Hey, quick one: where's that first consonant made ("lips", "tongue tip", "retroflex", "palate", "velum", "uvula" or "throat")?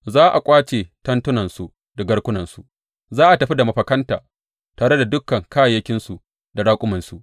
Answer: tongue tip